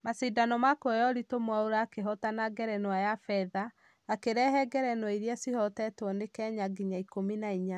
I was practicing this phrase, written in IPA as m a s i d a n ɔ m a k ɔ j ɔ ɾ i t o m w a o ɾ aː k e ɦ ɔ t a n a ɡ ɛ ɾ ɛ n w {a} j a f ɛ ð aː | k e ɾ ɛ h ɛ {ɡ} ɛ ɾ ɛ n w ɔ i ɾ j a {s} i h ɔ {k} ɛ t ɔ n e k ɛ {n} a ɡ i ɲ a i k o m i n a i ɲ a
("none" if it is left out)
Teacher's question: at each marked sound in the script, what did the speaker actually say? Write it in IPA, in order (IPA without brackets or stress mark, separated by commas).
a, ɡ, s, t, ɲ